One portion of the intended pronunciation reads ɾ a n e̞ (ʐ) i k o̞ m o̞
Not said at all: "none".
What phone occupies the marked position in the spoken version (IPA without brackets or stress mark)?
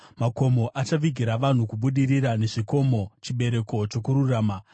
ʐ